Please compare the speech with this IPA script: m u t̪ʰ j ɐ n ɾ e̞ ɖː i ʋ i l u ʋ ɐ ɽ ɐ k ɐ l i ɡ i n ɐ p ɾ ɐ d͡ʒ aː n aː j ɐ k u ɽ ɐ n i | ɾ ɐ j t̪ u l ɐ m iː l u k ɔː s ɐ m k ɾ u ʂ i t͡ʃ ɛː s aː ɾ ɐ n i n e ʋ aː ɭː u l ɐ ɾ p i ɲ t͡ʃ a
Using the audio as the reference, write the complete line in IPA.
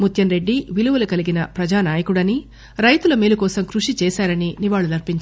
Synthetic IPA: m u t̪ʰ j ɐ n ɾ e̞ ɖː i ʋ i l u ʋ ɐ l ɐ k ɐ l i ɡ i n ɐ p ɾ ɐ d͡ʒ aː n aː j ɐ k u ɽ ɐ n i | ɾ ɐ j t̪ u l ɐ m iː l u k ɔː s ɐ m k ɾ u ʂ i t͡ʃ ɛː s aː ɾ ɐ n i n i ʋ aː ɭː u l ɐ ɾ p i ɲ t͡ʃ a